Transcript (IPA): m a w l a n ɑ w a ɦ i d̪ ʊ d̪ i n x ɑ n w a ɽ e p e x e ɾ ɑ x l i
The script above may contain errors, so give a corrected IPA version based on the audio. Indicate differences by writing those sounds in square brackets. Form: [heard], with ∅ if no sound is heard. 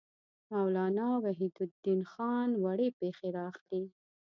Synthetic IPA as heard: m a w l [ɑ] n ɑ w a ɦ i d̪ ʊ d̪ i n x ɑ n w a ɽ e p e x e ɾ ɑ x l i